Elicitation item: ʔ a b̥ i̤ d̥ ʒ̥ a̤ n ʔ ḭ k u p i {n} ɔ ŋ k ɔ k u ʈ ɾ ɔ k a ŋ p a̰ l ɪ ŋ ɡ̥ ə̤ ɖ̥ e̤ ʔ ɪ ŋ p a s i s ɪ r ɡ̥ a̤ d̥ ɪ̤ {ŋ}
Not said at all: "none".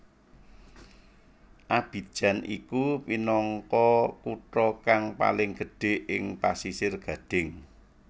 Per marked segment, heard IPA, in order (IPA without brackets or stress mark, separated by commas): n, ŋ